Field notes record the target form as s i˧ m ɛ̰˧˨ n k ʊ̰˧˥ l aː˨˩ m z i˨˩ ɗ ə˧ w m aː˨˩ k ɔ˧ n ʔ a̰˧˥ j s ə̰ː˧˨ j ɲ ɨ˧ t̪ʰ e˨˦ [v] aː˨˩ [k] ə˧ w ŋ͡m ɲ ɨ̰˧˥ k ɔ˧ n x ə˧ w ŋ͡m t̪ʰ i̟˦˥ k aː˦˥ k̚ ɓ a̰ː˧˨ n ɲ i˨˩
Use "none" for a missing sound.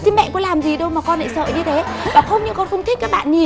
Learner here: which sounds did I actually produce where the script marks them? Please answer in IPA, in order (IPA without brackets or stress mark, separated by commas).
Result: v, x